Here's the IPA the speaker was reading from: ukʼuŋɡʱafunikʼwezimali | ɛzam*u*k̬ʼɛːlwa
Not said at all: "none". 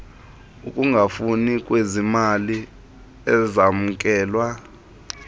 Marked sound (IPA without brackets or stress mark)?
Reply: u